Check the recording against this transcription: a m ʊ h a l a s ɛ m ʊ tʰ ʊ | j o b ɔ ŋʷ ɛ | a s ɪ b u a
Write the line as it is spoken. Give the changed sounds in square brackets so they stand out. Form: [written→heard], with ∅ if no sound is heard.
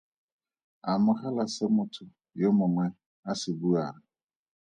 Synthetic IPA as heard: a m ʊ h a l a s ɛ m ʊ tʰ ʊ | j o [b→m] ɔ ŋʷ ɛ | a s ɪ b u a